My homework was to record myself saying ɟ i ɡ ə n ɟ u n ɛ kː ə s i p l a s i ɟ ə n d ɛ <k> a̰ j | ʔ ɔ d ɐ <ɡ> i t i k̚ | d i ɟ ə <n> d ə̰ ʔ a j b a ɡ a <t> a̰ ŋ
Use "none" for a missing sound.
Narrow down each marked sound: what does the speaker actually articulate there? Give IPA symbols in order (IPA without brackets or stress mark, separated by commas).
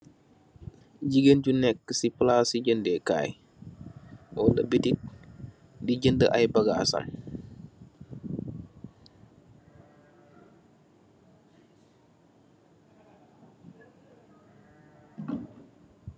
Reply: k, b, n, s